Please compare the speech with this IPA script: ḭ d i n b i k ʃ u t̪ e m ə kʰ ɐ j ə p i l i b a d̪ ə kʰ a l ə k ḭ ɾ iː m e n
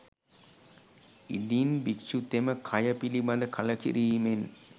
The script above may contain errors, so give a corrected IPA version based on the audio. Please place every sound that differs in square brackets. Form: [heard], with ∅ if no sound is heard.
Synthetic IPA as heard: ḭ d i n b i k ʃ u t̪ e m ə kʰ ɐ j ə p i l i b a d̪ ə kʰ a l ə k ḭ ɾ iː m e n

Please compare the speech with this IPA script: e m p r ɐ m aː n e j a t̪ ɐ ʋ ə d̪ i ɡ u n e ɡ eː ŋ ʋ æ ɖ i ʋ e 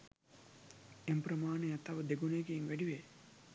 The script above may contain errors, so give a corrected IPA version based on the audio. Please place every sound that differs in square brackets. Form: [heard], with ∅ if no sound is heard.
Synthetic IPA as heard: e m p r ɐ m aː n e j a t̪ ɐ ʋ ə d̪ [e] ɡ u n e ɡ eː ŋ ʋ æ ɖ i ʋ e

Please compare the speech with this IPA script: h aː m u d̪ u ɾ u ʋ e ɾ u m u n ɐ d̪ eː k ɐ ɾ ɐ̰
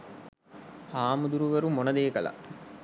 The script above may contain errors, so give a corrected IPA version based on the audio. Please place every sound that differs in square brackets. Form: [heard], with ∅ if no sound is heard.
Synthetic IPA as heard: h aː m u d̪ u ɾ u ʋ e ɾ u m [o] n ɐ d̪ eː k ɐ [l] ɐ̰

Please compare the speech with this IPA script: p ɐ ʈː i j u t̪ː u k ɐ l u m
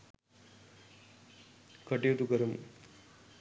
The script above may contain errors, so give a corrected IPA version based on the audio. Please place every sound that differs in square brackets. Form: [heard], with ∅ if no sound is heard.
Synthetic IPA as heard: [k] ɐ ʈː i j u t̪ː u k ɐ [ɾ] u m

